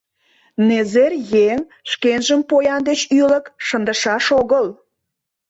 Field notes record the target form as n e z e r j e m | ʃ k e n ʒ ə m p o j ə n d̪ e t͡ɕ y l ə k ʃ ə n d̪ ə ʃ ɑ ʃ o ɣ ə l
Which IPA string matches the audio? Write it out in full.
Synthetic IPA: n e z e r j e ŋ | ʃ k e n ʒ ə m p o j ɑ n d̪ e t͡ɕ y l ə k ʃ ə n d̪ ə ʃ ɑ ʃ o ɣ ə l